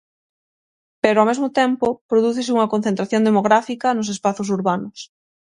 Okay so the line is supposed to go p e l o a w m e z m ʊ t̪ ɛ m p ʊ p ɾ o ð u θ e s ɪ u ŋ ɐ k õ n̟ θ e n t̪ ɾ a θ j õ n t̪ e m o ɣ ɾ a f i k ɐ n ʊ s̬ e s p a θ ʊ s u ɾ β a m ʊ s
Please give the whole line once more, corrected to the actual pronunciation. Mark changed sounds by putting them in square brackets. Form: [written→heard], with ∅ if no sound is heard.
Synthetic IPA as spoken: p e [l→ɾ] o a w m e z m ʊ t̪ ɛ m p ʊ p ɾ o ð u θ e s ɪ u ŋ ɐ k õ n̟ θ e n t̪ ɾ a θ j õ n [t̪→d̪] e m o ɣ ɾ a f i k ɐ n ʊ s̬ e s p a θ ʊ s u ɾ β a [m→n] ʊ s